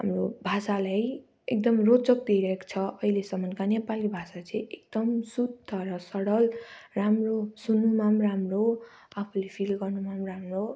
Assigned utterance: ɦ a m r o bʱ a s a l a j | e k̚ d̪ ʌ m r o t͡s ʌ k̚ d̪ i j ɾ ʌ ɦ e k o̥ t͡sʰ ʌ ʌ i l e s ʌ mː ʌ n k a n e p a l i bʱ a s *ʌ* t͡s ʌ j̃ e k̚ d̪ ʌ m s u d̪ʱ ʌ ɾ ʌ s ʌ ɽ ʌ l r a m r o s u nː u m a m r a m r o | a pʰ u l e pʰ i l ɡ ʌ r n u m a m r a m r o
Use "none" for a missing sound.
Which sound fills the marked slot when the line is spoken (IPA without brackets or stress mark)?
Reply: a